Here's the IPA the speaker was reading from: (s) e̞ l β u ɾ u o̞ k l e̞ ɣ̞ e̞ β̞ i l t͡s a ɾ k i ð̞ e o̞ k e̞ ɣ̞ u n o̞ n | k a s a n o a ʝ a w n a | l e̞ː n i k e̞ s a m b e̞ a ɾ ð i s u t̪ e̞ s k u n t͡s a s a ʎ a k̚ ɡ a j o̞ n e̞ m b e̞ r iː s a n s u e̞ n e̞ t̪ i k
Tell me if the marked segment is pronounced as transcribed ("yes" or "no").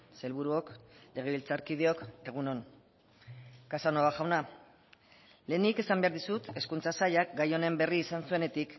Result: yes